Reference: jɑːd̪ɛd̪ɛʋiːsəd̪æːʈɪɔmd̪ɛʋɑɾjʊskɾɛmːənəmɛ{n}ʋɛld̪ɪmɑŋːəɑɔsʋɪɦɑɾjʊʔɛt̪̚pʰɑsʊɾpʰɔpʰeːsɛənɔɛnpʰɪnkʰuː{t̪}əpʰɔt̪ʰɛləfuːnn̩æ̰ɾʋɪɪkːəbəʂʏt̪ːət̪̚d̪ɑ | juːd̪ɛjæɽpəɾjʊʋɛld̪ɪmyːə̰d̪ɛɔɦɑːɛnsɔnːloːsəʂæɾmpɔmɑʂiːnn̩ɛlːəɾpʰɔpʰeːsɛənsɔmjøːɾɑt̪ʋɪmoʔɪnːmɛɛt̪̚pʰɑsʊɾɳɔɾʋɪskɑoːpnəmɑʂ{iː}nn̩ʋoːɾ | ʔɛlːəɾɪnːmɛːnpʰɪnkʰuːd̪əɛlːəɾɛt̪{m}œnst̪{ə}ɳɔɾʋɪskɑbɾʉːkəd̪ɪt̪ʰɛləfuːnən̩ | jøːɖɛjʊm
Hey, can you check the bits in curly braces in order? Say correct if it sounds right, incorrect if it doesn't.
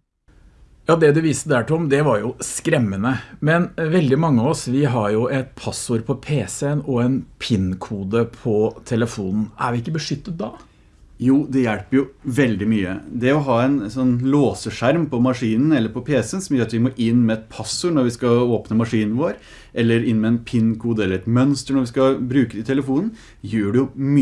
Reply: correct, incorrect, correct, correct, correct

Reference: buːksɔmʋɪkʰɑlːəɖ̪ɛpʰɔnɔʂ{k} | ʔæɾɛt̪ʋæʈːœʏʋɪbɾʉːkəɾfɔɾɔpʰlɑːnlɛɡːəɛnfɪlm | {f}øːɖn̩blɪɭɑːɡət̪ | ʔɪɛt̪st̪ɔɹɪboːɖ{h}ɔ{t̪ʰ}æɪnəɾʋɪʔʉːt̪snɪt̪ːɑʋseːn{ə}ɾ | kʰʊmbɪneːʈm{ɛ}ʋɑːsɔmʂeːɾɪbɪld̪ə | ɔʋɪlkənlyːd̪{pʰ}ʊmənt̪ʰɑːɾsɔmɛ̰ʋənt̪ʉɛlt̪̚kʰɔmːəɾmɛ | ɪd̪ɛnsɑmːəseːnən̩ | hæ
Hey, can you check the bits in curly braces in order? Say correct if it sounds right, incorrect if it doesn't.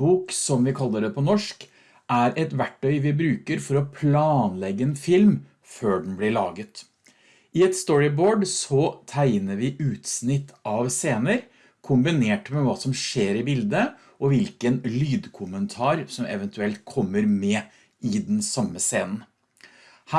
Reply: correct, correct, incorrect, correct, correct, correct, incorrect

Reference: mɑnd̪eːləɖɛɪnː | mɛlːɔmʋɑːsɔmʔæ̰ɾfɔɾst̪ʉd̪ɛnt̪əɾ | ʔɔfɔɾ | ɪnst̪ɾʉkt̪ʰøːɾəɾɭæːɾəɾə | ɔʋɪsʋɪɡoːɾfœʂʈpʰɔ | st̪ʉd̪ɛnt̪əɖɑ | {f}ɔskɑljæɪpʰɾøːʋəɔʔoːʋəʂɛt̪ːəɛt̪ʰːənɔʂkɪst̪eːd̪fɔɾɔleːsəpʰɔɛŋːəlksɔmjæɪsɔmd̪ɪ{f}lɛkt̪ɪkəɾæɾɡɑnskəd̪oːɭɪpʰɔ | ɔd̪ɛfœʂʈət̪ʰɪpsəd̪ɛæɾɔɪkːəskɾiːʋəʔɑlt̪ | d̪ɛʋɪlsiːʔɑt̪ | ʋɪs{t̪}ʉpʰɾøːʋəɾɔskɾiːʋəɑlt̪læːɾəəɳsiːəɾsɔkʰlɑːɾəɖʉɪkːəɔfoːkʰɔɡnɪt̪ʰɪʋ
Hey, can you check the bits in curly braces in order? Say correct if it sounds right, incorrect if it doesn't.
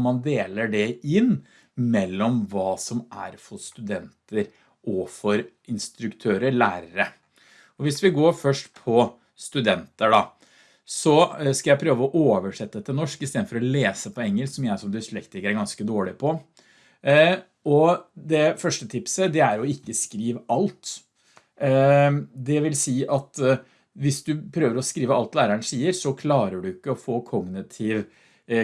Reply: incorrect, incorrect, incorrect

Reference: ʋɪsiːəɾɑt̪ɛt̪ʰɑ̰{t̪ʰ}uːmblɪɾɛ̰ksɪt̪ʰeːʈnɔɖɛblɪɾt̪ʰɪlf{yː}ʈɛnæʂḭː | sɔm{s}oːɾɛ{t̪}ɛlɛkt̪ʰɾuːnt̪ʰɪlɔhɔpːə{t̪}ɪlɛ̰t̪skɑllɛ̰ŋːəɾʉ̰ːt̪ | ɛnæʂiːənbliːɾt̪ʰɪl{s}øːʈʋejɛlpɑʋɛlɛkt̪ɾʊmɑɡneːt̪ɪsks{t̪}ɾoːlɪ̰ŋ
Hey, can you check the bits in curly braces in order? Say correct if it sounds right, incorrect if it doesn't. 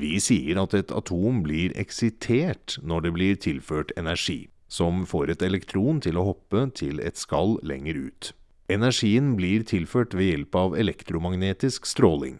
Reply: correct, incorrect, incorrect, correct, incorrect, incorrect, correct

